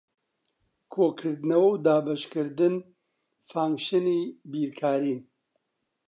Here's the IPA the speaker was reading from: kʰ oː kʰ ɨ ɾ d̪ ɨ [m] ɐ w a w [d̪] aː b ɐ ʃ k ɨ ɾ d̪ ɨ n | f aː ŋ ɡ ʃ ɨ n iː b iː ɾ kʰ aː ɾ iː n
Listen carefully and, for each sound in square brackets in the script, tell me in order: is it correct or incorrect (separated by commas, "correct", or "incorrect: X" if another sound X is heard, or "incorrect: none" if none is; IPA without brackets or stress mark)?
incorrect: n, correct